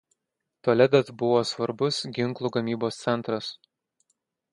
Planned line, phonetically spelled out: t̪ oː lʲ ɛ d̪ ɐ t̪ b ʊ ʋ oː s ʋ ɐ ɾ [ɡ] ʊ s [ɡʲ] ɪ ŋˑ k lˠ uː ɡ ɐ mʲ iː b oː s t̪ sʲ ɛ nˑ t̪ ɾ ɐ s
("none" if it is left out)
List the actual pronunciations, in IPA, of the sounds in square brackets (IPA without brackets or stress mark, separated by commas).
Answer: b, ɡʲ